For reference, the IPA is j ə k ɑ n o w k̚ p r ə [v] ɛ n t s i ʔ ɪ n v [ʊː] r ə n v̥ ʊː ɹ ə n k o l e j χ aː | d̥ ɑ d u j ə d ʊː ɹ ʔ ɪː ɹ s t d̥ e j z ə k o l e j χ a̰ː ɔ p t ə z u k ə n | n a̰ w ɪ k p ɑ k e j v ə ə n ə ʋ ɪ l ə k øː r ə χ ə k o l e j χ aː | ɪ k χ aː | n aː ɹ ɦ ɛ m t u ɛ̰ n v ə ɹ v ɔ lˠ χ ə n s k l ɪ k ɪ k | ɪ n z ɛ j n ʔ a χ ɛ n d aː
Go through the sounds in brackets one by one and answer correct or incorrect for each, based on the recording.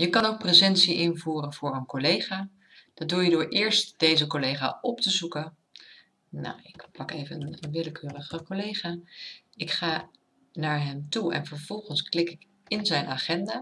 incorrect: z, incorrect: uː

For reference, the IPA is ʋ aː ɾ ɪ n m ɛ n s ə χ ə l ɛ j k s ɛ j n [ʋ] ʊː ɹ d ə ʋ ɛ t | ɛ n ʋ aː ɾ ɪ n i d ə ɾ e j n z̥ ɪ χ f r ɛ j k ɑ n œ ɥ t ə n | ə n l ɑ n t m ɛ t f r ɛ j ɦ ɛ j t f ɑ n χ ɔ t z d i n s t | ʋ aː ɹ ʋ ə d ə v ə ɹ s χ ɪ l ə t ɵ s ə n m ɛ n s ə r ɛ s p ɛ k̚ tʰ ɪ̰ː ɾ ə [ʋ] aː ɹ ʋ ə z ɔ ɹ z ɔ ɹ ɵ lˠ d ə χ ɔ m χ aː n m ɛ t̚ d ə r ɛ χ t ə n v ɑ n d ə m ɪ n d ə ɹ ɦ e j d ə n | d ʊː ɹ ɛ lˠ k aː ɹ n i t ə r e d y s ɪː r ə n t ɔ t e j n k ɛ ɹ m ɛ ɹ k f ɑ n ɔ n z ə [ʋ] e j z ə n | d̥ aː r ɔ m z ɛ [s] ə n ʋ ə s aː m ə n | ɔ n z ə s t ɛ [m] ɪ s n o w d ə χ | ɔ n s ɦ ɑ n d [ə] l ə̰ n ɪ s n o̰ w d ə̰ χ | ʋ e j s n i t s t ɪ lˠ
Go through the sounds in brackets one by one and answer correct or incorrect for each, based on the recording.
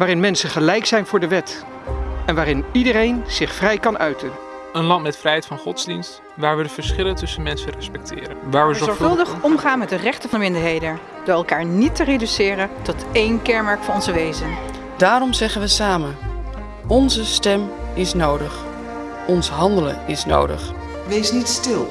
incorrect: v, correct, correct, incorrect: χ, correct, correct

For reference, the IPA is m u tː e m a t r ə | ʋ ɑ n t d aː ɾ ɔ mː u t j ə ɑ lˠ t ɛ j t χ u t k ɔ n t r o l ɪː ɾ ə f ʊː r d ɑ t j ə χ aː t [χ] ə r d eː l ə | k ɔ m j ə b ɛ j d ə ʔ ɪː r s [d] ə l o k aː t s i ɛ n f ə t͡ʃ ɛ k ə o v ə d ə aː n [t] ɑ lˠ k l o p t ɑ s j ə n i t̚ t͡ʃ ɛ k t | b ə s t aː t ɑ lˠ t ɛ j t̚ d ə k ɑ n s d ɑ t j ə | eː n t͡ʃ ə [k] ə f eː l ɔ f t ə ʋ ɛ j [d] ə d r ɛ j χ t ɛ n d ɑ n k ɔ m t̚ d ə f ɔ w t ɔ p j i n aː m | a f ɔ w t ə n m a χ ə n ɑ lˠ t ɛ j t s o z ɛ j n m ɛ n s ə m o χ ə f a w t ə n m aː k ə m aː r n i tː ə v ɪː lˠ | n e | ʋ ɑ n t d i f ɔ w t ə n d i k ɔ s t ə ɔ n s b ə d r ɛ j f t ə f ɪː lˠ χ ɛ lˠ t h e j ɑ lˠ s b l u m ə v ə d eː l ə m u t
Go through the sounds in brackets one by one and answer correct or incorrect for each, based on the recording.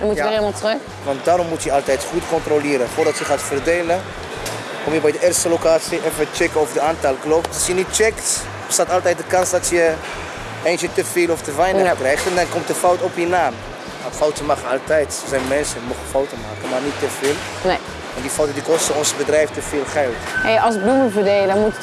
incorrect: f, incorrect: t, correct, incorrect: t, incorrect: n

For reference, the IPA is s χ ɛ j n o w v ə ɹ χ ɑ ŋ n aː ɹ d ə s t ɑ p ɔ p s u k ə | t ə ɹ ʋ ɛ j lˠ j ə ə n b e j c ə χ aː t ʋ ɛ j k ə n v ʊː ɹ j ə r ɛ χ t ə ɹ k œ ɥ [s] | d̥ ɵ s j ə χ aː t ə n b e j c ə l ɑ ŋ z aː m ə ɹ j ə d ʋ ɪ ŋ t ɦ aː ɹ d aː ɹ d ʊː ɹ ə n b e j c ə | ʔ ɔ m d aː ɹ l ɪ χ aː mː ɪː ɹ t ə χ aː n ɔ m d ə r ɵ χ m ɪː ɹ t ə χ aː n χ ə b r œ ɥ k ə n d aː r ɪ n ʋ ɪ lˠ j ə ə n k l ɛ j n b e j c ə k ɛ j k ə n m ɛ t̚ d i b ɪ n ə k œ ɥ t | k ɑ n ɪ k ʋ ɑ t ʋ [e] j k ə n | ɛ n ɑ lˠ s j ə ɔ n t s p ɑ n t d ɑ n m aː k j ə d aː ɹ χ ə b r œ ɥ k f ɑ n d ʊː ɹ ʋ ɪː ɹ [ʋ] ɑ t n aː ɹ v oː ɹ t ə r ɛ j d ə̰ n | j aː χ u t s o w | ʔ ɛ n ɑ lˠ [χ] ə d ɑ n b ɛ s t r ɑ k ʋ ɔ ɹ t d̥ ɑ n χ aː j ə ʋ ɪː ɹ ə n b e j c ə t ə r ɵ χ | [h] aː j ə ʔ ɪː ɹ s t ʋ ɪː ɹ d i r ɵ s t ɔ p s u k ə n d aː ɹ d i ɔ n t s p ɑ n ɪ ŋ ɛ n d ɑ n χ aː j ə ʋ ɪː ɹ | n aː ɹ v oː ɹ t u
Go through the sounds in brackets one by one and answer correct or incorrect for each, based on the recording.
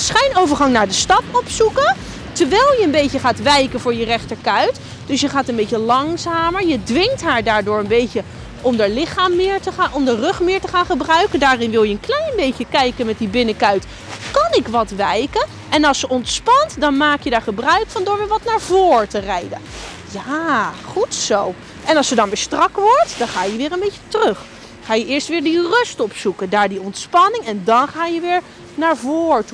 incorrect: t, incorrect: ɛ, correct, incorrect: s, incorrect: χ

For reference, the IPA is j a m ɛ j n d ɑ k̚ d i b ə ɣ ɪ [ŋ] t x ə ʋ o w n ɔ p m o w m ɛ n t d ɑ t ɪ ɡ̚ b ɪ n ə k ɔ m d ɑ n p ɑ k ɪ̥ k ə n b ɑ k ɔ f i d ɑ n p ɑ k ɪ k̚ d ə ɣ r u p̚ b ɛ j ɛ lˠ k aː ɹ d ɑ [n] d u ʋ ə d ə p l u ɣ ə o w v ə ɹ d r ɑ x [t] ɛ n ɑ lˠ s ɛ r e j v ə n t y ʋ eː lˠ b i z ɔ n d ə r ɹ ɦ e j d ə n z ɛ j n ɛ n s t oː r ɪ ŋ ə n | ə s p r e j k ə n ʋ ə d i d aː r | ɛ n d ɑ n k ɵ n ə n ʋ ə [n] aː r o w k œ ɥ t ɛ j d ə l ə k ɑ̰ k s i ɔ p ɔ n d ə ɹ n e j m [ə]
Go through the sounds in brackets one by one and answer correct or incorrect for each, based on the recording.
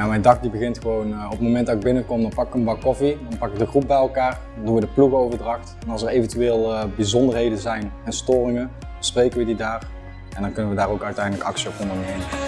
incorrect: n, correct, correct, incorrect: d, correct

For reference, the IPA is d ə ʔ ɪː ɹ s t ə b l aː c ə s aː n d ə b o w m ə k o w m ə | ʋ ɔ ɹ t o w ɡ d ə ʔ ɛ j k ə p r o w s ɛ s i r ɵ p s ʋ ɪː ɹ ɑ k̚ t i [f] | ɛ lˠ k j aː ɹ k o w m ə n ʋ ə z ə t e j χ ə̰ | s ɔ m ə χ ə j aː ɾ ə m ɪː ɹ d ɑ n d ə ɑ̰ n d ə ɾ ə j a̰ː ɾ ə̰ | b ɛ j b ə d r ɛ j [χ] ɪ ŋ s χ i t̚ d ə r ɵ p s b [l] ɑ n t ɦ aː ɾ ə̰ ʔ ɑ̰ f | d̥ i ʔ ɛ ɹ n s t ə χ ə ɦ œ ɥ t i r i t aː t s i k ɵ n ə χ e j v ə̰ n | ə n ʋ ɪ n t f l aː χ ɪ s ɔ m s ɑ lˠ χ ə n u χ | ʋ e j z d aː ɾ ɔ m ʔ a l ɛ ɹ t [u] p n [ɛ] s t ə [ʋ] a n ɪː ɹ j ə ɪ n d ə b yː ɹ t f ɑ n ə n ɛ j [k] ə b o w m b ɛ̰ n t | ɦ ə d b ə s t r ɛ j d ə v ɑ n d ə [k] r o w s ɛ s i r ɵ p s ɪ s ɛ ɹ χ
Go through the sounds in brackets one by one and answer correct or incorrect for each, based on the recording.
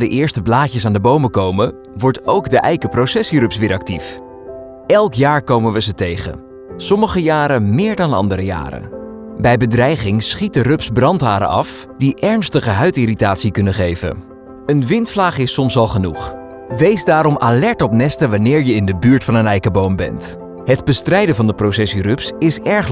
correct, correct, incorrect: r, incorrect: ɔ, correct, correct, correct, incorrect: p

